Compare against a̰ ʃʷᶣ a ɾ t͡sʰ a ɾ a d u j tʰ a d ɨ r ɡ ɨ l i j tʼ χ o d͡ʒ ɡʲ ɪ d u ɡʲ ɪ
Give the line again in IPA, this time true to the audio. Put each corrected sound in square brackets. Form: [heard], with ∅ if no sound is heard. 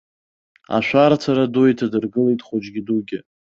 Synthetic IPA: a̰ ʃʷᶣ a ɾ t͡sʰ a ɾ a d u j tʰ a d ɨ r ɡ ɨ l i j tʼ χ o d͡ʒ ɡʲ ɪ d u ɡʲ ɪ